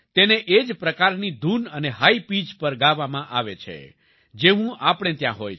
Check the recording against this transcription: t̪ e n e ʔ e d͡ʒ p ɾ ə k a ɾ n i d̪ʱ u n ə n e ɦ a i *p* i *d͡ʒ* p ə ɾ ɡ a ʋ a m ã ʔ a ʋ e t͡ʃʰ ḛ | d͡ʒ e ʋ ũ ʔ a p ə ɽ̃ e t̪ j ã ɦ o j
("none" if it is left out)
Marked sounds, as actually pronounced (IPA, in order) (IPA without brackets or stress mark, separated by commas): p, d͡ʒ